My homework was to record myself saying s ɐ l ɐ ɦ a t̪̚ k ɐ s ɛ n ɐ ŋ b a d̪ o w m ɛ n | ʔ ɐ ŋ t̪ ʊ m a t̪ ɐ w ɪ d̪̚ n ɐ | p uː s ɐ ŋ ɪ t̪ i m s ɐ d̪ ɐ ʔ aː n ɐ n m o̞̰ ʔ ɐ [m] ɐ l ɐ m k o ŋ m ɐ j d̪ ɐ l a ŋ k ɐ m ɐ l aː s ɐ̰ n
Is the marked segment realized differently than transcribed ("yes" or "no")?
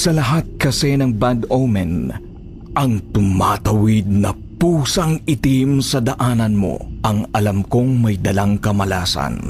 yes